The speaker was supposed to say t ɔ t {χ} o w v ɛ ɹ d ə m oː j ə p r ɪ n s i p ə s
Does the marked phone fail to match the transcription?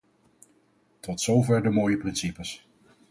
yes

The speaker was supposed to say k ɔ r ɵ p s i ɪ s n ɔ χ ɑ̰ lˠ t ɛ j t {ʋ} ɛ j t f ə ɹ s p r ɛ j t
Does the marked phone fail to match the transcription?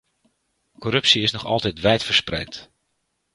no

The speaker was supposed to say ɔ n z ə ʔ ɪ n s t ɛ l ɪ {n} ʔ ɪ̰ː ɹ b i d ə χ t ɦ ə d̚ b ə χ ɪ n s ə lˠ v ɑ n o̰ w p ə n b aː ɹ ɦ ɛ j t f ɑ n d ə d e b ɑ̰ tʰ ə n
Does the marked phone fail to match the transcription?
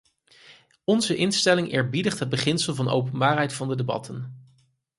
yes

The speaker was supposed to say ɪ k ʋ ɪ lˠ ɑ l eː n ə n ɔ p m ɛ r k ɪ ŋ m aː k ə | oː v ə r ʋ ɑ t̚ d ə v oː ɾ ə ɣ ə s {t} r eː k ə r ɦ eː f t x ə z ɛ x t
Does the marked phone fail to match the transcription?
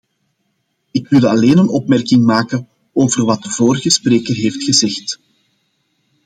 yes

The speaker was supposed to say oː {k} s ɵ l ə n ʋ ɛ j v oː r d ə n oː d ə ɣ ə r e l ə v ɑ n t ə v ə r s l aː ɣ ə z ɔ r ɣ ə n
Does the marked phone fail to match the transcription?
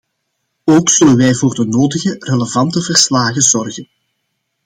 no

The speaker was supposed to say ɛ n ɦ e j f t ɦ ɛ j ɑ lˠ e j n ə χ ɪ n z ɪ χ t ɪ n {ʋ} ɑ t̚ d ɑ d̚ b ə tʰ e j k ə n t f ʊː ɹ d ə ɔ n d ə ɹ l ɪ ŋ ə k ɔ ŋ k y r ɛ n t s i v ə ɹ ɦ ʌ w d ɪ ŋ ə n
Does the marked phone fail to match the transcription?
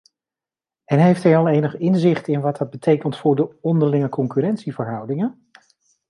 no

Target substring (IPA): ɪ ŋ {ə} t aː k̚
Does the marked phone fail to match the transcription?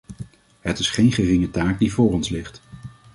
no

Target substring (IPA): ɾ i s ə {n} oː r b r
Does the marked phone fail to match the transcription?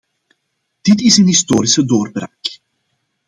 yes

